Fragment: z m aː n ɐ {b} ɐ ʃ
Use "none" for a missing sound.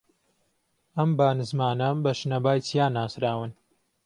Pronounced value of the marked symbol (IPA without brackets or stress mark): b